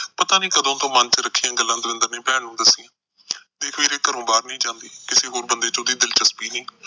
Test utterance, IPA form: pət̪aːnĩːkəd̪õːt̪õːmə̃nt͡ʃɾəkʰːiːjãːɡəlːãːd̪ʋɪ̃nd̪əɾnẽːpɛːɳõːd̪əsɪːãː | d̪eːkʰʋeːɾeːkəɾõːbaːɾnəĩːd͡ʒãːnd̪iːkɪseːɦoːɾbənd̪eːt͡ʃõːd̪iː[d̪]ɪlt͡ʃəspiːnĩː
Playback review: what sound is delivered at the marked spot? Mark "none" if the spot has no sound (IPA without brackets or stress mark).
d̪